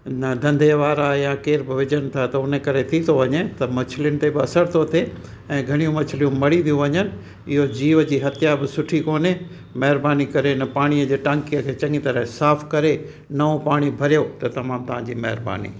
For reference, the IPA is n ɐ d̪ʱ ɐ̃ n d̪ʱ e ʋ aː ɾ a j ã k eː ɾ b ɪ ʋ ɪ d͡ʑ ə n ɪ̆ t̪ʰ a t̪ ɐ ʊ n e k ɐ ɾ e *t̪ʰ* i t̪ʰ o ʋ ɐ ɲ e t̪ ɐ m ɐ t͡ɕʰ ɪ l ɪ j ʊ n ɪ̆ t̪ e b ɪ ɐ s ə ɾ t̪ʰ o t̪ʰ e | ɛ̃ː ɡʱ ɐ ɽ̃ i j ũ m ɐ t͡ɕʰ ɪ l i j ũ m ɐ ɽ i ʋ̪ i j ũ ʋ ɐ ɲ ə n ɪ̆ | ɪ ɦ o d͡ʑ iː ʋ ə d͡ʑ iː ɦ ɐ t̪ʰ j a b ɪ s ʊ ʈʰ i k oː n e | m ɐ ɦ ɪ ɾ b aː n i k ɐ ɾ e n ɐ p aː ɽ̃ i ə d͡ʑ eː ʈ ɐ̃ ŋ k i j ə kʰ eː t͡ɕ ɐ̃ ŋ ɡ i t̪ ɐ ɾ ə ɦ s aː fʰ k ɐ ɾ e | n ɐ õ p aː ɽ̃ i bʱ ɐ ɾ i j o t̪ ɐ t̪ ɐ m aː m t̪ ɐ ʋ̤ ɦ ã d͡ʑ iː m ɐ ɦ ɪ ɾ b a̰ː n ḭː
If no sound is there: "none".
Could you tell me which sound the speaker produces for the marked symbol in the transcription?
t̪ʰ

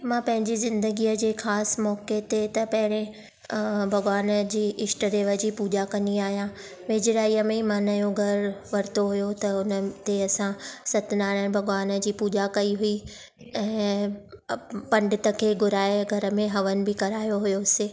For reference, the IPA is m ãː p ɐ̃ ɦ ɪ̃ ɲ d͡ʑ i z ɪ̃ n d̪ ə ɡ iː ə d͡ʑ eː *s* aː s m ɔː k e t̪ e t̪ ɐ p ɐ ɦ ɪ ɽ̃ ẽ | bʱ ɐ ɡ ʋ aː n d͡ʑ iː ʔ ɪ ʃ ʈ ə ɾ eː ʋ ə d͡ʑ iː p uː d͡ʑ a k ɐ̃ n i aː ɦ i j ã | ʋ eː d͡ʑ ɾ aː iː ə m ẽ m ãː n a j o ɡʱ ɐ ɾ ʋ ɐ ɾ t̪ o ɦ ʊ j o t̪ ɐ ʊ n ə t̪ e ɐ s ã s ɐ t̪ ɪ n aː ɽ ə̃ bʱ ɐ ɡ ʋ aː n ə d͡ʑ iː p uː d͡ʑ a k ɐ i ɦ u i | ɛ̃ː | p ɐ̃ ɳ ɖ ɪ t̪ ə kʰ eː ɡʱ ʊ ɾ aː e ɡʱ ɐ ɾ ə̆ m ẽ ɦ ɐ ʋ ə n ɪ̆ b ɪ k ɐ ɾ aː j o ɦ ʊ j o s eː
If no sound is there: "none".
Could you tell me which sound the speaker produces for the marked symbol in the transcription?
x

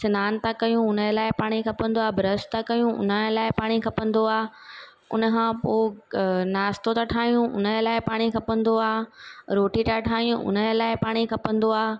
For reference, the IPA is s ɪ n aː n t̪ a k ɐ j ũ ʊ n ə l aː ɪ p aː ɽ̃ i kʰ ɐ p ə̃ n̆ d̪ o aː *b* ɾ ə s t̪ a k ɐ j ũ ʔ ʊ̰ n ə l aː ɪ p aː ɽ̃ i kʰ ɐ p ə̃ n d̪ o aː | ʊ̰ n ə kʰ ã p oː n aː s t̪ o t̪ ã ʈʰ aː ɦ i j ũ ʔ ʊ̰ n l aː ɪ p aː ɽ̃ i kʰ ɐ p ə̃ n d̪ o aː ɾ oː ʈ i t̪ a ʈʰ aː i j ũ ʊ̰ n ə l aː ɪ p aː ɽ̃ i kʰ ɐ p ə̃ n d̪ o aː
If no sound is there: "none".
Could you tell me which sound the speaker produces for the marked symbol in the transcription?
b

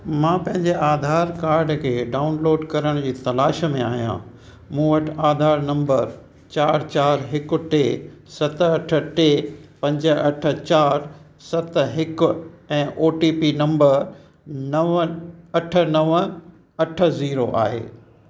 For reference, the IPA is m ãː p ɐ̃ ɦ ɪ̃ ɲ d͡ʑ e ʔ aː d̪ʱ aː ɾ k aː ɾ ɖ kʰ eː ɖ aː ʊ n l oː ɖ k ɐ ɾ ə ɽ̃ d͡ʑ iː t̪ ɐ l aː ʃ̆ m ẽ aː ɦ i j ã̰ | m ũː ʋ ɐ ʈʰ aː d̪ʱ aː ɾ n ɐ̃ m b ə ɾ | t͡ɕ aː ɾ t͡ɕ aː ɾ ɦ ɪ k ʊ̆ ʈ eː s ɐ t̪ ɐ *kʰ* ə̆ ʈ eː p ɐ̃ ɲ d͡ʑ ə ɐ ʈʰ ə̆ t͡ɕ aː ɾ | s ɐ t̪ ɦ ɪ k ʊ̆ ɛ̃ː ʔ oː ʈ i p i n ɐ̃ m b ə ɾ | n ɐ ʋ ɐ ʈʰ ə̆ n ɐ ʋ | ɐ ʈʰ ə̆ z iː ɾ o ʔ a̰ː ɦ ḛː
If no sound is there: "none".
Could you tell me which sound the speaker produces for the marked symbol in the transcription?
ʈʰ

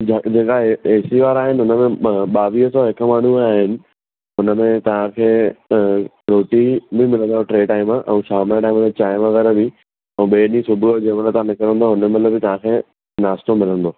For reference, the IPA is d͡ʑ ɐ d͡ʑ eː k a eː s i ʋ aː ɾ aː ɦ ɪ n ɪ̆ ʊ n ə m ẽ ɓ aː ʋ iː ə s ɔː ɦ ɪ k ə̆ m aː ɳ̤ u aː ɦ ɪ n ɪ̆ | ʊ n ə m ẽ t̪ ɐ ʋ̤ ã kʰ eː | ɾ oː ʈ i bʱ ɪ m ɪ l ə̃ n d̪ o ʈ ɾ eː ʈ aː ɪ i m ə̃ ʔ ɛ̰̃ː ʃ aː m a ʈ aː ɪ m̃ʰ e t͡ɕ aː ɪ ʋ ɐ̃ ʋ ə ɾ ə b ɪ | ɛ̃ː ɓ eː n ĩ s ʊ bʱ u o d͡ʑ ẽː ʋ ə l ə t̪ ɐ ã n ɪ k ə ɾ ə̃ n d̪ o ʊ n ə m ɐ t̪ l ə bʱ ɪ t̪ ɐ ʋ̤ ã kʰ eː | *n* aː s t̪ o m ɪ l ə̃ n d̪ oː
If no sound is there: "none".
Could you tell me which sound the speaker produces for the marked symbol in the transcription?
n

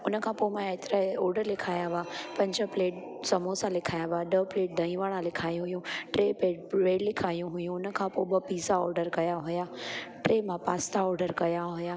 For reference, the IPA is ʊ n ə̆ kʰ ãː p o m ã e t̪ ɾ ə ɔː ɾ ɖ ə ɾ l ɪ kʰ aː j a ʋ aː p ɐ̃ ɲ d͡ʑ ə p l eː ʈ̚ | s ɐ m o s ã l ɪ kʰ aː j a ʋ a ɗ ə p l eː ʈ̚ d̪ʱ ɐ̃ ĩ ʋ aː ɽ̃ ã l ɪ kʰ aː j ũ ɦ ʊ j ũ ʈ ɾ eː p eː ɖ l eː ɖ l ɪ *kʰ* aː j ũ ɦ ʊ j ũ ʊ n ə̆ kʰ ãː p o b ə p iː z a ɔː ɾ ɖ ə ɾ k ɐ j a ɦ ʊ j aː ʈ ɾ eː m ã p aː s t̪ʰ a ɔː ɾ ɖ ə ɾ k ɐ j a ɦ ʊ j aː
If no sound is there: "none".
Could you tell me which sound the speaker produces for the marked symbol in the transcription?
kʰ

